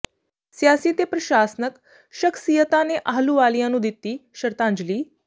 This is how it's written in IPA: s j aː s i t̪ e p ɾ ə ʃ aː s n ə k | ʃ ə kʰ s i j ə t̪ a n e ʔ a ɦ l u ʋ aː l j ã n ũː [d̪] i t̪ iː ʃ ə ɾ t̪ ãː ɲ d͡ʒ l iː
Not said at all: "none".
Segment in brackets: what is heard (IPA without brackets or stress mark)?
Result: d̪